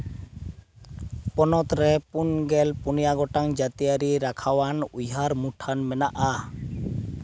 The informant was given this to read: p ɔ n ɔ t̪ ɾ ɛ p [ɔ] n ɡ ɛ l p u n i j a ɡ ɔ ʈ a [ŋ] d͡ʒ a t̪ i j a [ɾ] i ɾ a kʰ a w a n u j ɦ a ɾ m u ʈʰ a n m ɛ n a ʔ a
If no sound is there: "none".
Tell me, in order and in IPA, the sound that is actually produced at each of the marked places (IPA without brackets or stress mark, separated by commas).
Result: u, ŋ, ɾ